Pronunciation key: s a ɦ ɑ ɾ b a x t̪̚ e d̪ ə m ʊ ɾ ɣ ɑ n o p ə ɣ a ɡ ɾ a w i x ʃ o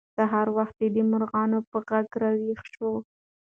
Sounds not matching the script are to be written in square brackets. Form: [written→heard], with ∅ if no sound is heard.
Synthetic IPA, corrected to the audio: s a ɦ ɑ ɾ [b→w] a x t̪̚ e d̪ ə m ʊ ɾ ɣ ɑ n o p ə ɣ a ɡ ɾ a w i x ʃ o